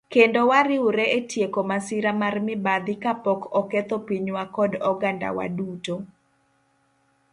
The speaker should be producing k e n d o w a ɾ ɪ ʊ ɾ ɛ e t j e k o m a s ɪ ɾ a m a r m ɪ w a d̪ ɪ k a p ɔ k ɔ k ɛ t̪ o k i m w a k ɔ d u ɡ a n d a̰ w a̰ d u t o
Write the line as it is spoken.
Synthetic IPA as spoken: k e n d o w a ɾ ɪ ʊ ɾ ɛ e t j e k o m a s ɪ ɾ a m a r m ɪ b a d̪ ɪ k a p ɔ k ɔ k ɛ t̪ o p i ɲ w a k ɔ d ɔ ɡ a n d a̰ w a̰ d u t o